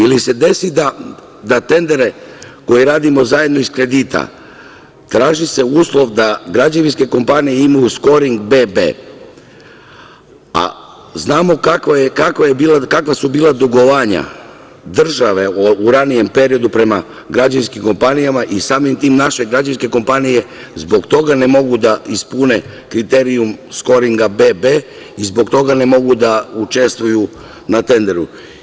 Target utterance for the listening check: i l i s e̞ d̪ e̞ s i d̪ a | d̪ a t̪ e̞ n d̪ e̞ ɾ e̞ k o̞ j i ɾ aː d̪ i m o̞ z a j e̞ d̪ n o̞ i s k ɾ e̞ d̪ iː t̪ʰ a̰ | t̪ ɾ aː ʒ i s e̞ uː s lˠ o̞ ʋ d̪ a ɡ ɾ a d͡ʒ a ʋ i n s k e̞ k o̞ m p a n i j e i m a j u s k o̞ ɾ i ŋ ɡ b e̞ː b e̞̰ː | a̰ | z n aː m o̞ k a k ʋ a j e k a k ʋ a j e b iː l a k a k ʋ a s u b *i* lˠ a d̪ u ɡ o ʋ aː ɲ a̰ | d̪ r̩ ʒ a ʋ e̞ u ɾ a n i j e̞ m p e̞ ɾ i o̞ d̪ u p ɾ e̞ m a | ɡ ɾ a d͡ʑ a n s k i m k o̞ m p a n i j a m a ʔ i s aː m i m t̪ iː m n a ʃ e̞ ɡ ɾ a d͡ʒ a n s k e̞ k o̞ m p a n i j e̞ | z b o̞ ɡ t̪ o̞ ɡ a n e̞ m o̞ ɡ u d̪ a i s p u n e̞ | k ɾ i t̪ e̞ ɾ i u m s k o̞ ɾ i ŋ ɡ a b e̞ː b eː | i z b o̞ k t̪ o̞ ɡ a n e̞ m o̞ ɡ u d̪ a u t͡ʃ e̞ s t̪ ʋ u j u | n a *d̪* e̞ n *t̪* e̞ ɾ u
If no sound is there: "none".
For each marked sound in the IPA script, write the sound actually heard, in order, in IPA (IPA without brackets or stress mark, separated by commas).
iː, t̪, d̪